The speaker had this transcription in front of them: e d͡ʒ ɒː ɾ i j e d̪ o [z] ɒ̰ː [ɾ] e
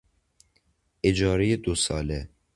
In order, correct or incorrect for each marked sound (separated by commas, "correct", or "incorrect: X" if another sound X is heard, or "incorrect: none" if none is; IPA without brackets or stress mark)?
incorrect: s, incorrect: l